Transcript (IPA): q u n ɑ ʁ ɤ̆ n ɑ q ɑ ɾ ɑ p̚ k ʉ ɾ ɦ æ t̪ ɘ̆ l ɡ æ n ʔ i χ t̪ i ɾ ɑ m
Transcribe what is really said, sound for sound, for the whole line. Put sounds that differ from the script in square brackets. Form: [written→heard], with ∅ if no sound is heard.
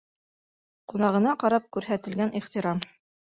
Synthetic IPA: q u n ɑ ʁ ɤ̆ n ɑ q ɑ ɾ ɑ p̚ k ʉ ɾ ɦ æ t̪ ɘ̆ l ɡ æ n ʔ i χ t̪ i ɾ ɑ m